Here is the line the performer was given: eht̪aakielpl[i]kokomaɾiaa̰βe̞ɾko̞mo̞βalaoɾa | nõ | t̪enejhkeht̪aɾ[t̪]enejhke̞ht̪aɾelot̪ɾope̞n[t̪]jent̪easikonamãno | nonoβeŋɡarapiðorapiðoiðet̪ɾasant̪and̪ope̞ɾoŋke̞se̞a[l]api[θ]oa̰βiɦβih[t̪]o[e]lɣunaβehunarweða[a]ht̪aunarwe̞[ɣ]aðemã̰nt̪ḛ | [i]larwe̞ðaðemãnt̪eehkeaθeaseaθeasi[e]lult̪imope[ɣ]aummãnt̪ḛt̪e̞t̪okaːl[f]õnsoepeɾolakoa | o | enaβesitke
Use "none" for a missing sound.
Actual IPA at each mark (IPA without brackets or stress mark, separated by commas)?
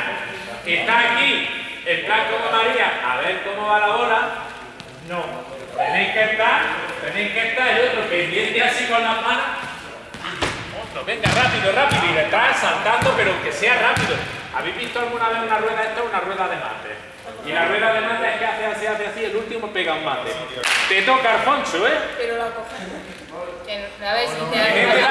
a, t̪, d̪, r, ð, t̪, a, e, ð, i, e, ɣ, f